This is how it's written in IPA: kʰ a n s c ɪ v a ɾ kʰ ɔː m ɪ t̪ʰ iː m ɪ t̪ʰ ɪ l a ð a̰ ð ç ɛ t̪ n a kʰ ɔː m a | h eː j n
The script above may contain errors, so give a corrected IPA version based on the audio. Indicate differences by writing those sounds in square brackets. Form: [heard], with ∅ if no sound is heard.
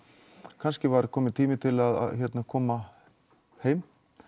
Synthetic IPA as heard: kʰ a n s c ɪ v a ɾ kʰ ɔː m ɪ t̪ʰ iː m ɪ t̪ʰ ɪ l a ð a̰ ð ç ɛ t̪ n a kʰ ɔː m a | h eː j [m]